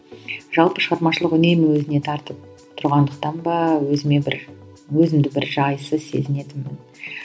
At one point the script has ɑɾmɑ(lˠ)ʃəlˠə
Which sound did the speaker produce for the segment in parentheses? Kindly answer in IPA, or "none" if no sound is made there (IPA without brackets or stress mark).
none